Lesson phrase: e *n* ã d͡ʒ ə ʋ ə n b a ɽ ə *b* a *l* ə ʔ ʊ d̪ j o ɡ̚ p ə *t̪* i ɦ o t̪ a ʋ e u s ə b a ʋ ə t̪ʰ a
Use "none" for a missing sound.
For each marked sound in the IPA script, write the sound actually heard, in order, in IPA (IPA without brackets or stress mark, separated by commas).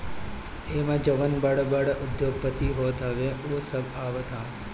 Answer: m, b, ɽ, t̪